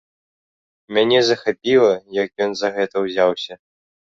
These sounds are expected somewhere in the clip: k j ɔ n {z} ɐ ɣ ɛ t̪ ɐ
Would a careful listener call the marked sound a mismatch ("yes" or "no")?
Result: no